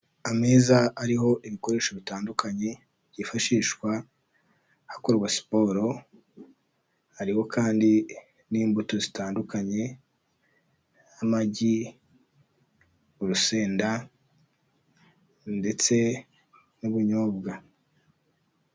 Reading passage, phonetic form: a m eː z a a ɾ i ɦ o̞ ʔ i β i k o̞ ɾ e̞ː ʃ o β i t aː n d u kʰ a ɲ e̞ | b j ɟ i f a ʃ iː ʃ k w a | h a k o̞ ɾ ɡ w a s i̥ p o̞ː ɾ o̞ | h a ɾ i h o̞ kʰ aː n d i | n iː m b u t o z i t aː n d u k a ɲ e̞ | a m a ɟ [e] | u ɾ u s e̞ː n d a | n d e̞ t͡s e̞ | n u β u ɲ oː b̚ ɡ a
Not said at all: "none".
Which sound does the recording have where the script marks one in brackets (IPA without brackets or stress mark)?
i